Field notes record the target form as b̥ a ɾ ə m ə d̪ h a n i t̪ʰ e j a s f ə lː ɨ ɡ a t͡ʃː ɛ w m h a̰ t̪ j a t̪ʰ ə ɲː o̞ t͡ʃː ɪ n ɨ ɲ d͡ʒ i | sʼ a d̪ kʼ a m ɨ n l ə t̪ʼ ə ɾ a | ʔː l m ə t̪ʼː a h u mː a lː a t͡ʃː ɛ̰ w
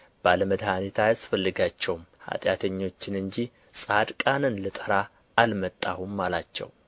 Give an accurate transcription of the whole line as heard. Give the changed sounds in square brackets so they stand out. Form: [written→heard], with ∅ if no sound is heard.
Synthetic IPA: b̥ a [ɾ→l] ə m ə d̪ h a n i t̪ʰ [e→a] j a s f ə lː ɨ ɡ a t͡ʃː ɛ w m h a̰ [t̪→t̪ʼ] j a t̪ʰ ə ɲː o̞ t͡ʃː ɪ n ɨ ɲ d͡ʒ i | sʼ a d̪ kʼ a [m→n] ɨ n l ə t̪ʼ ə ɾ a | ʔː l m ə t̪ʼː a h u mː a [lː→l] a t͡ʃː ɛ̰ w